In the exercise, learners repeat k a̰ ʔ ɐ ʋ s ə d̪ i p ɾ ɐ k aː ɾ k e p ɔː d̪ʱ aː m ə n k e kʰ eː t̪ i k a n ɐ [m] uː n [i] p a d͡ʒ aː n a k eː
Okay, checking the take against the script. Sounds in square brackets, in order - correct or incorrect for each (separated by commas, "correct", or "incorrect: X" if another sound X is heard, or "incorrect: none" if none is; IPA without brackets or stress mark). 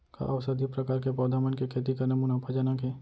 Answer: correct, incorrect: a